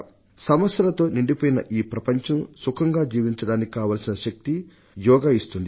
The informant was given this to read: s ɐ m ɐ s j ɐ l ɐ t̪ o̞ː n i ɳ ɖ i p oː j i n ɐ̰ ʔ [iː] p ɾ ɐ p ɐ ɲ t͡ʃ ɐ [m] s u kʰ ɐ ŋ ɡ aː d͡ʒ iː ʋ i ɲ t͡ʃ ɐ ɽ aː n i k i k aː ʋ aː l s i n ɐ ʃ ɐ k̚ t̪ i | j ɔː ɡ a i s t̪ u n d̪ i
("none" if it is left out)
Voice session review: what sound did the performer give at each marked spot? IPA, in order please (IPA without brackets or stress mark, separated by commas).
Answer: iː, m